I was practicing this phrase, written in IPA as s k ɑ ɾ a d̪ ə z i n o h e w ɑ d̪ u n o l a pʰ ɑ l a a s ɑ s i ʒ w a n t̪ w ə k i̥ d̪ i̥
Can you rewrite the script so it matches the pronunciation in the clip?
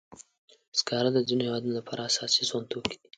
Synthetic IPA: s k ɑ ɾ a d̪ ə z i n o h e w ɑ d̪ u n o l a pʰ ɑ ɾ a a s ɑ s i z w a n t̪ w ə k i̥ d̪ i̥